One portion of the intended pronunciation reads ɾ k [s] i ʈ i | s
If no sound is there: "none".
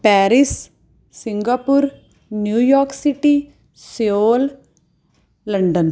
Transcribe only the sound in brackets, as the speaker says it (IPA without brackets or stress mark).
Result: s